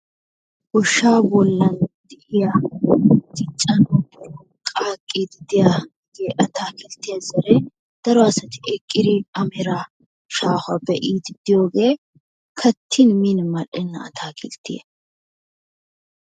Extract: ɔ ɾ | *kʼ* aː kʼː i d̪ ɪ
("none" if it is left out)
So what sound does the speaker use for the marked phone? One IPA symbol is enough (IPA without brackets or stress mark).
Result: kʼ